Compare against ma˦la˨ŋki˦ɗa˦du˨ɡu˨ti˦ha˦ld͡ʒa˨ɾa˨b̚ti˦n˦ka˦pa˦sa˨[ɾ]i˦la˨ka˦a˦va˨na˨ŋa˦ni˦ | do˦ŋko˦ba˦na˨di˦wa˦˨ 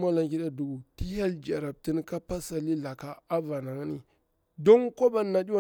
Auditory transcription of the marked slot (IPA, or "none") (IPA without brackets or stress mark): l